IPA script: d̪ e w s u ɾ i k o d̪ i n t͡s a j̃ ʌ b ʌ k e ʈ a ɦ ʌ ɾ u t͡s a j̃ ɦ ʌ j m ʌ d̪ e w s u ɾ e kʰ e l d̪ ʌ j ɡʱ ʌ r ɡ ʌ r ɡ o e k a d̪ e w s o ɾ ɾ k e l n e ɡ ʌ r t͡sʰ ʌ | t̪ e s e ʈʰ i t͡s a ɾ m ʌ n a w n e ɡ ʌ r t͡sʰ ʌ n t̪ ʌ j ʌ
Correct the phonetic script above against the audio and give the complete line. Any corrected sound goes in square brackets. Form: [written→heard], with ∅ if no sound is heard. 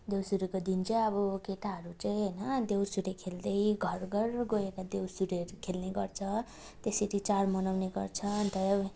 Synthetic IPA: d̪ e w s u ɾ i k o d̪ i n t͡s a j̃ ʌ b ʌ k e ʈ a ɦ ʌ ɾ u t͡s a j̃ ɦ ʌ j [m→n] ʌ d̪ e w s u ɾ e kʰ e l d̪ ʌ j ɡʱ ʌ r ɡ ʌ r ɡ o e k a d̪ e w s [o→u] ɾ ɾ [k→kʰ] e l n e ɡ ʌ r t͡sʰ ʌ | t̪ e s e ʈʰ i t͡s a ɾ m ʌ n a w n e ɡ ʌ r t͡sʰ ʌ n t̪ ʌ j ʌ